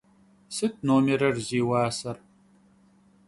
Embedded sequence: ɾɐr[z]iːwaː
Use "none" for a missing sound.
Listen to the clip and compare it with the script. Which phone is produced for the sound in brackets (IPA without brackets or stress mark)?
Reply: z